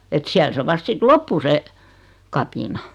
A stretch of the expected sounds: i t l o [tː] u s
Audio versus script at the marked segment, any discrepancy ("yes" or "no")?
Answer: yes